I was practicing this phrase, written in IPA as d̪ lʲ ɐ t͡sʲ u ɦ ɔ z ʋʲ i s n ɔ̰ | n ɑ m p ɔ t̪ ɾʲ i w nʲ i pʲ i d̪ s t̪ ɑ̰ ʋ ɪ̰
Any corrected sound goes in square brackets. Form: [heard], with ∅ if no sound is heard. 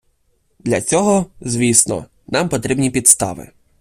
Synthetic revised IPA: d̪ lʲ ɐ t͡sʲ [ɔ] ɦ ɔ z ʋʲ i s n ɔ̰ | n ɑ m p ɔ t̪ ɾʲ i [b] nʲ i pʲ i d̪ s t̪ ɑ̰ ʋ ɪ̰